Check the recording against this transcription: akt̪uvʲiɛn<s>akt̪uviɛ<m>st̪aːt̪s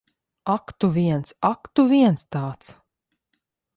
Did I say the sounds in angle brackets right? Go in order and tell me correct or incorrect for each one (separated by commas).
correct, incorrect